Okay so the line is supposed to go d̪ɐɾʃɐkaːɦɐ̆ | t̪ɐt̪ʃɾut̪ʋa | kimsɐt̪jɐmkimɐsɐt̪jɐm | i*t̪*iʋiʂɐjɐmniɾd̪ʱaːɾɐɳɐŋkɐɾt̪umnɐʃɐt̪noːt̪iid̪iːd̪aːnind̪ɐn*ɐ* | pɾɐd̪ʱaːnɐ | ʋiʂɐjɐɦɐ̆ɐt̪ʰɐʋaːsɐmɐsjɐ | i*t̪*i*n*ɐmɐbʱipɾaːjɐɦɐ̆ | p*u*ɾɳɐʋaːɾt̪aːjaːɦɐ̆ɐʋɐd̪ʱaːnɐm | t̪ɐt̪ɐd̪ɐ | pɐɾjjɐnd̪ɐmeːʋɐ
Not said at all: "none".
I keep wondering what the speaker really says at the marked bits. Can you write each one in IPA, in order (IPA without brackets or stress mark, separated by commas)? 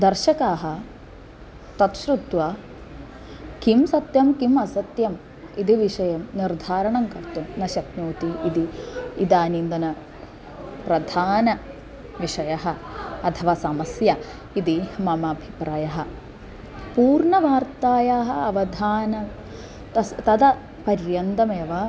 d̪, ɐ, d̪, m, uː